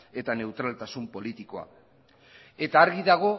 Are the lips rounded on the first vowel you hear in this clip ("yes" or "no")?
no